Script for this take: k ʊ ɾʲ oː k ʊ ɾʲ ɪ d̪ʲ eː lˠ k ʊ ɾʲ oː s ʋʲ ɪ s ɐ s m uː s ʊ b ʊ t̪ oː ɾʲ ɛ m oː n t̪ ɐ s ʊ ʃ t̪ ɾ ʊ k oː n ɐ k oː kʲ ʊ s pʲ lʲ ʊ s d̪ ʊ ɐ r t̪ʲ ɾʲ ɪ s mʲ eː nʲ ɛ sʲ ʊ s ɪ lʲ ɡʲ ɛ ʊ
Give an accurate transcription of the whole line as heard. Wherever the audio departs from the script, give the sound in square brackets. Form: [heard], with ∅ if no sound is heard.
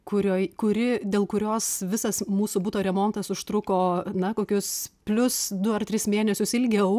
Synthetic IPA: k ʊ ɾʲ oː k ʊ ɾʲ ɪ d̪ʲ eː lˠ k ʊ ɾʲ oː s ʋʲ ɪ s ɐ s m uː s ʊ b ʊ t̪ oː ɾʲ ɛ m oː n t̪ ɐ s ʊ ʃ t̪ ɾ ʊ k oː n ɐ k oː kʲ ʊ s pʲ lʲ ʊ s d̪ ʊ ɐ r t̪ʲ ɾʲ ɪ s mʲ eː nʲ ɛ sʲ ʊ s ɪ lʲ ɡʲ ɛ ʊ

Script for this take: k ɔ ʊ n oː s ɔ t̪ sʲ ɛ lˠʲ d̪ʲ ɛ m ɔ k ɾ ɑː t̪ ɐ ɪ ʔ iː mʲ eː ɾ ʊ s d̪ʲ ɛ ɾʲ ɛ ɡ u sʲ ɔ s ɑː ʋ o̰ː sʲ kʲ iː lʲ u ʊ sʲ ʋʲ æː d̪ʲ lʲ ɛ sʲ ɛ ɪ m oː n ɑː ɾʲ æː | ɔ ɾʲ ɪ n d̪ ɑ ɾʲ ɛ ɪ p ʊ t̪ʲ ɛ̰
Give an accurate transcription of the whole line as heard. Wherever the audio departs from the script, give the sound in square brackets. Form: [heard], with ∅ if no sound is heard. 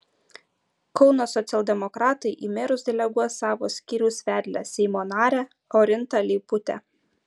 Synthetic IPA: k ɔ ʊ n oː s ɔ t̪ sʲ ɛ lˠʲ d̪ʲ ɛ m ɔ k ɾ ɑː t̪ ɐ ɪ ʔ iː mʲ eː ɾ ʊ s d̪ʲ ɛ [lʲ] ɛ ɡ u [∅] ɔ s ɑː ʋ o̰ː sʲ kʲ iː [ɾʲ] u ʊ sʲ ʋʲ æː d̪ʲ lʲ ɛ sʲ ɛ ɪ m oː n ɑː ɾʲ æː | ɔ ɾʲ ɪ n [t̪] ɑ [lʲ] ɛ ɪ p ʊ t̪ʲ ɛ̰

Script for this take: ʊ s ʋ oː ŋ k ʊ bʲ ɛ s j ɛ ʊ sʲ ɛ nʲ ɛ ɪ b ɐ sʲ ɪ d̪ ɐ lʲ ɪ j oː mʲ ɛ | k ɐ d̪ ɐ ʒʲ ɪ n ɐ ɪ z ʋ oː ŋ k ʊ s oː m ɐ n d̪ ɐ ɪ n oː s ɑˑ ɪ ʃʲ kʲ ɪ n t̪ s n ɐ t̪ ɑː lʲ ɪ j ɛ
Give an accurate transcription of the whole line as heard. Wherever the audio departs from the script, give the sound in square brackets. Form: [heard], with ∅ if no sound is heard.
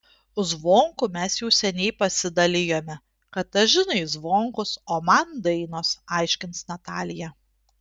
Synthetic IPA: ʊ [z] ʋ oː ŋ k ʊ [mʲ] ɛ s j ɛ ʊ sʲ ɛ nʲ ɛ ɪ [p] ɐ sʲ ɪ d̪ ɐ lʲ ɪ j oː mʲ ɛ | k ɐ [t̪] ɐ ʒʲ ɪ n ɐ ɪ z ʋ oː ŋ k ʊ s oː m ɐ n d̪ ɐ ɪ n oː s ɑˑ ɪ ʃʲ kʲ ɪ n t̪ s n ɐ t̪ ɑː lʲ ɪ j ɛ

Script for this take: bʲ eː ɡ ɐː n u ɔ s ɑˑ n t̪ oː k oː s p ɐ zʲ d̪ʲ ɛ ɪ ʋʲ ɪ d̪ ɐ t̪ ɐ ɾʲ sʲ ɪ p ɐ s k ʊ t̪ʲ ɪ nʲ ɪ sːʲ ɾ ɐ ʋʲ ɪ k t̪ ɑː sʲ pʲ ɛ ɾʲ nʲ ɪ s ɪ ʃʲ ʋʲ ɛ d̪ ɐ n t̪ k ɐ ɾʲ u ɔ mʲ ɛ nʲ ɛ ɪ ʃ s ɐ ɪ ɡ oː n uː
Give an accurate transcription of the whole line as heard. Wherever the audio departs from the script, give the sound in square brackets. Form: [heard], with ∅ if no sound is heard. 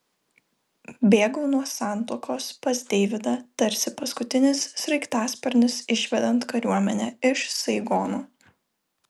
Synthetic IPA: bʲ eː ɡ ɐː n u ɔ s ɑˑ n t̪ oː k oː s p ɐ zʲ d̪ʲ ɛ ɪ ʋʲ ɪ d̪ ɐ t̪ ɐ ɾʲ sʲ ɪ p ɐ s k ʊ t̪ʲ ɪ nʲ ɪ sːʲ ɾ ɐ [∅] ɪ k t̪ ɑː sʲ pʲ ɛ ɾʲ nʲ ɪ s ɪ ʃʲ ʋʲ ɛ d̪ ɐ n t̪ k ɐ ɾʲ u ɔ mʲ ɛ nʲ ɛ ɪ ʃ s ɐ ɪ ɡ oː n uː

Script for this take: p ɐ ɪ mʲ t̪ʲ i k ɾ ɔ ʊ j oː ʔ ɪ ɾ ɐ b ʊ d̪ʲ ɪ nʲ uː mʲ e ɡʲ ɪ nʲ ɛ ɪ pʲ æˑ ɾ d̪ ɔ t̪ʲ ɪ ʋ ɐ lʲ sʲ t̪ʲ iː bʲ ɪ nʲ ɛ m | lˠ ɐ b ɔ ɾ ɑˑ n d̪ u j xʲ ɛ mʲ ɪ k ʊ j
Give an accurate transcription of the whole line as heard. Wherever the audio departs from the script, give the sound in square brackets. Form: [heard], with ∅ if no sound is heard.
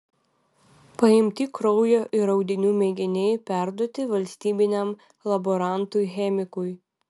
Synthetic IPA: p ɐ ɪ mʲ t̪ʲ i k ɾ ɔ ʊ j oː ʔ ɪ ɾ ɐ [∅] ʊ d̪ʲ ɪ nʲ uː mʲ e ɡʲ ɪ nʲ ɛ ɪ pʲ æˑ ɾ d̪ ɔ t̪ʲ ɪ ʋ ɐ lʲ sʲ t̪ʲ iː bʲ ɪ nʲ ɛ m | lˠ ɐ b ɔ ɾ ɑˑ n [t̪] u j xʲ ɛ mʲ ɪ k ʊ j

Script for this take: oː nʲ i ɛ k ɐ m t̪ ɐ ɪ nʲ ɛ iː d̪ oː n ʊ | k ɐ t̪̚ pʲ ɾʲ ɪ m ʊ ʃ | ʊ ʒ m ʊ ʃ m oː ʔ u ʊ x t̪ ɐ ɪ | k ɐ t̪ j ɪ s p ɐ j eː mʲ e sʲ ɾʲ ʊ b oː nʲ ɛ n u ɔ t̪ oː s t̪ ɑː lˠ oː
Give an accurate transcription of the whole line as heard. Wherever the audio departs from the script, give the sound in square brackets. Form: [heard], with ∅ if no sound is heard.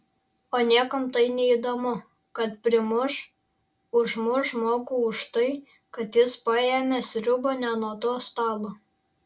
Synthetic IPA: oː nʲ i ɛ k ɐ m t̪ ɐ ɪ nʲ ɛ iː d̪ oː [m] ʊ | k ɐ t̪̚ pʲ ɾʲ ɪ m ʊ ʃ | ʊ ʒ m ʊ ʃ m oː [k] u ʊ [ʃ] t̪ ɐ ɪ | k ɐ t̪ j ɪ s p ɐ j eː mʲ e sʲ ɾʲ ʊ b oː nʲ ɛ n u ɔ t̪ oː s t̪ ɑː lˠ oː

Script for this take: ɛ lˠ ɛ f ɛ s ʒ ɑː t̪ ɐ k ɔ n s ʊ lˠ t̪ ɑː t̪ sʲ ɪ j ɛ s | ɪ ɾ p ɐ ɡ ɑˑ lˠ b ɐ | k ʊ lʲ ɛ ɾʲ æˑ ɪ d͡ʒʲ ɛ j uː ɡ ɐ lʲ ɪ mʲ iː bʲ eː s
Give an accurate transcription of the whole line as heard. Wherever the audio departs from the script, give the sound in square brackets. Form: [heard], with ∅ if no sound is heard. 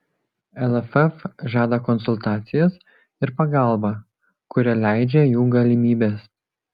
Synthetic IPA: ɛ lˠ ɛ f ɛ [f] ʒ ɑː [d̪] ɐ k ɔ n s ʊ lˠ t̪ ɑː t̪ sʲ ɪ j ɛ s | ɪ ɾ p ɐ ɡ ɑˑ lˠ b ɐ | k ʊ [ɾʲ] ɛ [lʲ] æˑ ɪ d͡ʒʲ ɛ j uː ɡ ɐ lʲ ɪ mʲ iː bʲ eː s

